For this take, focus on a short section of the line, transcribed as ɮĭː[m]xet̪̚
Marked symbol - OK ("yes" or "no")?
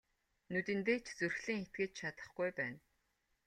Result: no